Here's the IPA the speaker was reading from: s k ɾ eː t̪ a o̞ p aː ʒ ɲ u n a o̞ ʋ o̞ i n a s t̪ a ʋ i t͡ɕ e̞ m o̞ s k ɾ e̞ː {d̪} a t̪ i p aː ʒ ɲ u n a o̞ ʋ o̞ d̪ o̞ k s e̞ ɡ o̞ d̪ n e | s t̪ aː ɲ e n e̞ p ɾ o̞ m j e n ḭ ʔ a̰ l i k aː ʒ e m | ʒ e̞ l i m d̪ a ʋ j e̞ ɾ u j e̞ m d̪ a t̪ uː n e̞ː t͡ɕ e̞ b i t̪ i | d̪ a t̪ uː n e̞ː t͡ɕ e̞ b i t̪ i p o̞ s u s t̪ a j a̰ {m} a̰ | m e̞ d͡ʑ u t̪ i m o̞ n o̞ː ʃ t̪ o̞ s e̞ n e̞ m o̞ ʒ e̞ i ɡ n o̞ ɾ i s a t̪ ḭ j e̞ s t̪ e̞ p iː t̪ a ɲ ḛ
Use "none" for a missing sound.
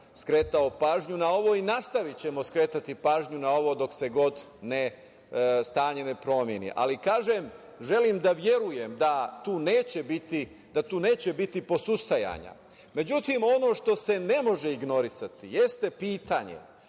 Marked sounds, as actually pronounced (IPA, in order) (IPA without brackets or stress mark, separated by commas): t̪, ɲ